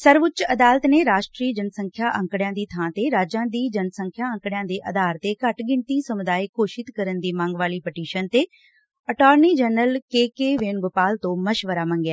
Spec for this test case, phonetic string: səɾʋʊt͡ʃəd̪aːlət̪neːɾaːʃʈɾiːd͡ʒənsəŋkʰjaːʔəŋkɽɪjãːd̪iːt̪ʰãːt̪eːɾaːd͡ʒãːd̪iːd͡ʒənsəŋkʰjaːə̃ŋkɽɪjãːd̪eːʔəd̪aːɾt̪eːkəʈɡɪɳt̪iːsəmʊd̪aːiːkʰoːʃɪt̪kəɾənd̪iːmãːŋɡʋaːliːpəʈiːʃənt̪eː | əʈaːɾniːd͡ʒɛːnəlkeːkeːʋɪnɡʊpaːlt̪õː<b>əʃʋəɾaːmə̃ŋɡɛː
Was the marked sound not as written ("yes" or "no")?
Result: yes